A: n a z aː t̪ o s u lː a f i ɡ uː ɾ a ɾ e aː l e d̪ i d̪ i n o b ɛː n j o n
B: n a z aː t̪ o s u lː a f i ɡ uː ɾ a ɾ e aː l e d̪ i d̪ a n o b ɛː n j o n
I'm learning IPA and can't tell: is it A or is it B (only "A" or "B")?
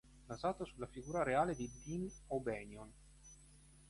A